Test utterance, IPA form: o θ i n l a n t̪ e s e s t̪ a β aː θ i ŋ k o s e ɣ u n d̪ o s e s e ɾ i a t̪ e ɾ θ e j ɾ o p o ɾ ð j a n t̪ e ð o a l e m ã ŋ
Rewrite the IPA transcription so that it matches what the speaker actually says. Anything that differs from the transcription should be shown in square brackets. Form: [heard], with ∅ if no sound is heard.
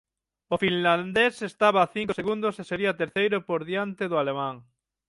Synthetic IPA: o [f] i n l a n [d̪] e s e s t̪ a β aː θ i ŋ k o s e ɣ u n d̪ o s e s e ɾ i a t̪ e ɾ θ e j ɾ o p o ɾ ð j a n t̪ e ð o a l e m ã ŋ